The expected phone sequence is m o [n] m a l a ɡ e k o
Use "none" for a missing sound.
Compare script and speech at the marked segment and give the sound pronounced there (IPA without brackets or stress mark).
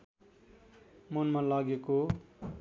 n